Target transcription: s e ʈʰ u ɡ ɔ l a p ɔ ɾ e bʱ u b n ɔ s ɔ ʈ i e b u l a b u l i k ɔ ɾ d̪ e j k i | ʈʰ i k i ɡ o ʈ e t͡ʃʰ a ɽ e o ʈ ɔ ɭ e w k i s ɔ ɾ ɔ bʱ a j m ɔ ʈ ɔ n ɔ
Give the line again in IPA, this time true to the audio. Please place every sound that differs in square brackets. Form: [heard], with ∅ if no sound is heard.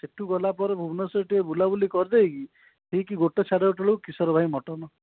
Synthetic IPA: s e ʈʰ u ɡ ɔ l a p ɔ ɾ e bʱ u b n ɔ s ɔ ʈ i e b u l a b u l i k ɔ ɾ d̪ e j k i | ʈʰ i k i ɡ o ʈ e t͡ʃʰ a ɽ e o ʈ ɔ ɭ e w k i s ɔ ɾ ɔ bʱ a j m ɔ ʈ ɔ n ɔ